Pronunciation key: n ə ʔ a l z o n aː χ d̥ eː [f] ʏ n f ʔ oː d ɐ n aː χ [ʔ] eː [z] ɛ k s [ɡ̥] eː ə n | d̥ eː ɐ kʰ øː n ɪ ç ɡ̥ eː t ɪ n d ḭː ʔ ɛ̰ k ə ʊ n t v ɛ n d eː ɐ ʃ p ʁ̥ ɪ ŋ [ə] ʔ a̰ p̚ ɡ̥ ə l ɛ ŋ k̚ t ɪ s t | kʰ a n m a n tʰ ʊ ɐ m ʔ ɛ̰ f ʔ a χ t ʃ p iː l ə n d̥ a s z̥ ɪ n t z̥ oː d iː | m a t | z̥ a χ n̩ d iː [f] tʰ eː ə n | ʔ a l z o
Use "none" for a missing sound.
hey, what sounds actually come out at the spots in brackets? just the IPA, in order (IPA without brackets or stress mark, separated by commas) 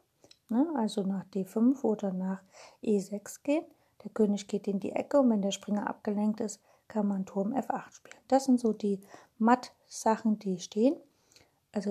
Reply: f, ʔ, z, ɡ̥, ɐ, ʃ